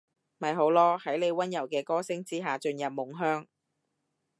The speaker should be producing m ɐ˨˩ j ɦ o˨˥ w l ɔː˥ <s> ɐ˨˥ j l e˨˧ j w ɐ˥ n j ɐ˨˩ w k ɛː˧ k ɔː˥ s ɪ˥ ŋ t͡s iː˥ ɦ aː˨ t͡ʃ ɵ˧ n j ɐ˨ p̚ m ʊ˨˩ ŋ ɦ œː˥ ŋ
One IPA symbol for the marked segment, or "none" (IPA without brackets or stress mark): h